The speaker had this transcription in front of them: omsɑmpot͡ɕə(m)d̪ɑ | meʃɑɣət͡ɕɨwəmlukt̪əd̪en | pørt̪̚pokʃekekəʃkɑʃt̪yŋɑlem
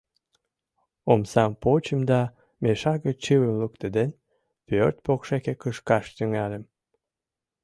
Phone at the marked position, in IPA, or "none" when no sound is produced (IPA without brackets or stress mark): m